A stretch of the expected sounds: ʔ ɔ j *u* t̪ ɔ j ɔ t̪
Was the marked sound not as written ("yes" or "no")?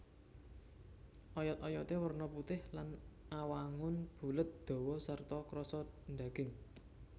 yes